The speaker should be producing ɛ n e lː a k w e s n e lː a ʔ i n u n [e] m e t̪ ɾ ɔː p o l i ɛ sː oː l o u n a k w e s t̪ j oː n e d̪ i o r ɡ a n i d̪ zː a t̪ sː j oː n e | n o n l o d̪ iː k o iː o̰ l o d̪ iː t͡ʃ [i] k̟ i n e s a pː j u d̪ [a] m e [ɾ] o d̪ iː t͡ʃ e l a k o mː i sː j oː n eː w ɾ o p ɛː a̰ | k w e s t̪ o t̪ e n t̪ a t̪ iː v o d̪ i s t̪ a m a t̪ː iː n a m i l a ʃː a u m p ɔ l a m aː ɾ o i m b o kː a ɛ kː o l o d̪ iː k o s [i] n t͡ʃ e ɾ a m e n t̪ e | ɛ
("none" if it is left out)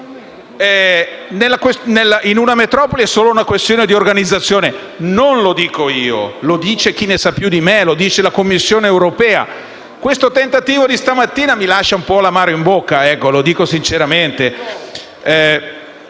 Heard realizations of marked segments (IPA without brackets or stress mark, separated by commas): a, e, i, l, i